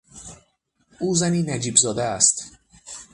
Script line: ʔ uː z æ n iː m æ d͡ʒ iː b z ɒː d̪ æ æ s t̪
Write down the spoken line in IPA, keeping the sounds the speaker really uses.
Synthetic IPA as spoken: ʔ uː z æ n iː n æ d͡ʒ iː b z ɒː d̪ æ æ s t̪